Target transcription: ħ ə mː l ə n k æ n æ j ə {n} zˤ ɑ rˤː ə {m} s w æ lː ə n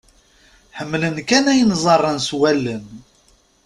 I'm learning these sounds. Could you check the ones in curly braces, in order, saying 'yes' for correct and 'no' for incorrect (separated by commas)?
yes, no